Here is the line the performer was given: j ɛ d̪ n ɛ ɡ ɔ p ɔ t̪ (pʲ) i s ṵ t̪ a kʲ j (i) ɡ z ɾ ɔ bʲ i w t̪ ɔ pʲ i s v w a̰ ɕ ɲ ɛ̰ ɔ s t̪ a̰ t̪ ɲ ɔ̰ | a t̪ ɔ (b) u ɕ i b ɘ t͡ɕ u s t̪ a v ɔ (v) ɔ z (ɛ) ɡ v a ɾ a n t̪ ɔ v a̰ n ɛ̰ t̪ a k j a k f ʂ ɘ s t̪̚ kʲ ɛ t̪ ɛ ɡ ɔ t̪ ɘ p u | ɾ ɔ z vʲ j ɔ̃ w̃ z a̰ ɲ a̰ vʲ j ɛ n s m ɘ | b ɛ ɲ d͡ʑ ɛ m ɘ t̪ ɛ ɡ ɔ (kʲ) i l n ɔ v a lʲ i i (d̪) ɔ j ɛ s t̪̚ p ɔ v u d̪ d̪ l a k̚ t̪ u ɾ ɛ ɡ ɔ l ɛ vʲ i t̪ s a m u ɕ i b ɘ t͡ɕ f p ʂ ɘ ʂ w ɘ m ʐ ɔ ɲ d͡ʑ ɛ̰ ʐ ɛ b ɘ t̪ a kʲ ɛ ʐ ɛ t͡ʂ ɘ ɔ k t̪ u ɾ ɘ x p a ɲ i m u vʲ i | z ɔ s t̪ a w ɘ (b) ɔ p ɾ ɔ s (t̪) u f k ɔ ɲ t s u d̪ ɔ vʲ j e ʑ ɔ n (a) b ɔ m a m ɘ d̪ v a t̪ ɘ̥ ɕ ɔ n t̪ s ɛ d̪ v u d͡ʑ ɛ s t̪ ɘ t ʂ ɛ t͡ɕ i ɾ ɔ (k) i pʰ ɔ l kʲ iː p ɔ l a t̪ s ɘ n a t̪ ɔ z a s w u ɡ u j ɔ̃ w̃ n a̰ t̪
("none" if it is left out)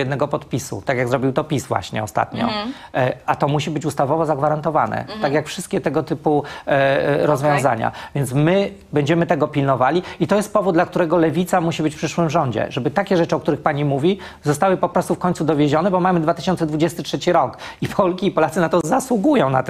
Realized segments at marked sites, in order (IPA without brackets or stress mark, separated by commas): pʲ, a, m, v, a, pʲ, t̪, p, t̪, ɛ, k